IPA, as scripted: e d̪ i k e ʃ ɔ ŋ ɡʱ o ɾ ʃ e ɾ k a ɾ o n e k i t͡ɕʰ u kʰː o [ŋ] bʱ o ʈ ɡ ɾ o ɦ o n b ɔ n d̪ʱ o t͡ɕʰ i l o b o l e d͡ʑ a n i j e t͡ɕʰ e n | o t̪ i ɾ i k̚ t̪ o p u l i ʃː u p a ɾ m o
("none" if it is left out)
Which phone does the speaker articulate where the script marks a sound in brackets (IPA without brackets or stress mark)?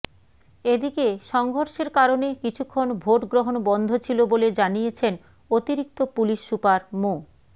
n